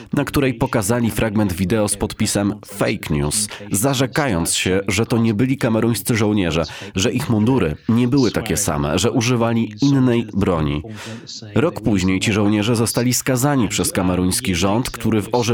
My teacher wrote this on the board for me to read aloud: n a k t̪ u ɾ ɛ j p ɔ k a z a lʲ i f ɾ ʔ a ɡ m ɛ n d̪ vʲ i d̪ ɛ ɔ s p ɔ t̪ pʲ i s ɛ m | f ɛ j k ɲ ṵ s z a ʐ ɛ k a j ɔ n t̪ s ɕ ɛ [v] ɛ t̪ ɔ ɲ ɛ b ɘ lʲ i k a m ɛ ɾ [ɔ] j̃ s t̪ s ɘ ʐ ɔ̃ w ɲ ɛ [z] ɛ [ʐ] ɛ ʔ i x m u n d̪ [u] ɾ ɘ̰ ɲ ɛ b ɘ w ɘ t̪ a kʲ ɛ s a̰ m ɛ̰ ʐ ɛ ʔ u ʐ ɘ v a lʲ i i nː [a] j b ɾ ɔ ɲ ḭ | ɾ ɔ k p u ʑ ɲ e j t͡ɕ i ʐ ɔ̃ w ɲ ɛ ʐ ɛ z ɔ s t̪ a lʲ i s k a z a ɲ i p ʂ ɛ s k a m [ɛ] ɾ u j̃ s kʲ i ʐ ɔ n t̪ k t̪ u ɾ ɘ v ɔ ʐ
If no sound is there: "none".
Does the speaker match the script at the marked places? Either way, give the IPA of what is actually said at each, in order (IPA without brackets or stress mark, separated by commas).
ʐ, u, ʐ, ʐ, u, ɛ, ɛ